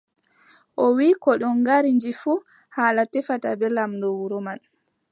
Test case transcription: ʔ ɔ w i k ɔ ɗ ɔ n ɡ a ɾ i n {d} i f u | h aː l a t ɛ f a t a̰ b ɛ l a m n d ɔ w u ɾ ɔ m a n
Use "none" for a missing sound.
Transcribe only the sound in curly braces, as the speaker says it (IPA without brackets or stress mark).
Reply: d͡ʒ